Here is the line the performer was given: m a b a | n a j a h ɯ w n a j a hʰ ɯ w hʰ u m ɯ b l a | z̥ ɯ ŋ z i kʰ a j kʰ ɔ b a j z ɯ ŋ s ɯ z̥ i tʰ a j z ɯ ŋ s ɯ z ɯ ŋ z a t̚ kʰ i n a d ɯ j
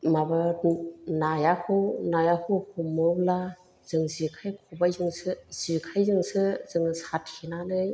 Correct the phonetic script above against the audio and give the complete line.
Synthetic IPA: m a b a | n a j a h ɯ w n a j a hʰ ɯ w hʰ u m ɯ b l a | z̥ ɯ ŋ z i kʰ a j kʰ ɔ b a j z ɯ ŋ s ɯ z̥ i kʰ a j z ɯ ŋ s ɯ z ɯ ŋ s a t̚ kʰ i n a n ɯ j